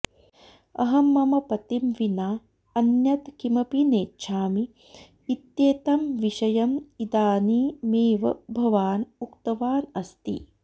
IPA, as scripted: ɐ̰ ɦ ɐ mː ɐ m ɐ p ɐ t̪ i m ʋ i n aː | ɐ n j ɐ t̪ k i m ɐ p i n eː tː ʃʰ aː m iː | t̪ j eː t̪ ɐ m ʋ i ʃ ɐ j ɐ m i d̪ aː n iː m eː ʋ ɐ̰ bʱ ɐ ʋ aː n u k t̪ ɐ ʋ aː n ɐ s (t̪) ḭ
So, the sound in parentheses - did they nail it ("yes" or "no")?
yes